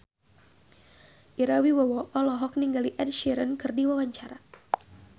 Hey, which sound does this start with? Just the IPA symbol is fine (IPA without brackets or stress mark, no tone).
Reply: ʔ